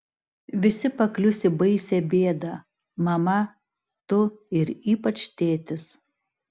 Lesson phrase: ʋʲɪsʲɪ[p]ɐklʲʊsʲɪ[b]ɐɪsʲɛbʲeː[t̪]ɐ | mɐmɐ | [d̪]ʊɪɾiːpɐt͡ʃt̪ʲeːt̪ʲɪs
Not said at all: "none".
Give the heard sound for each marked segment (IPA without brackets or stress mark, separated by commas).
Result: p, b, d̪, t̪